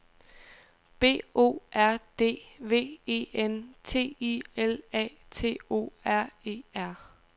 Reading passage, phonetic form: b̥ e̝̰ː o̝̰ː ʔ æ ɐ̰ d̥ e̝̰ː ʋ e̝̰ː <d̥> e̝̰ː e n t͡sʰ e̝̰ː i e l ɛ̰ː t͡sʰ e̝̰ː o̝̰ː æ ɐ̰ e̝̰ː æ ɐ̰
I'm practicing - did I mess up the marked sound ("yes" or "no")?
yes